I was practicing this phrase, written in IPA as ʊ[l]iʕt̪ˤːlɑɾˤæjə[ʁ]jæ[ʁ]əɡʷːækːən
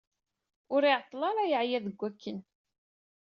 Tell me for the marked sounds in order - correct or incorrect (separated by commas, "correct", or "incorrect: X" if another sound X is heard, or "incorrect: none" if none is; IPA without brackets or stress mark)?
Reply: incorrect: ɾ, incorrect: ʕ, incorrect: ð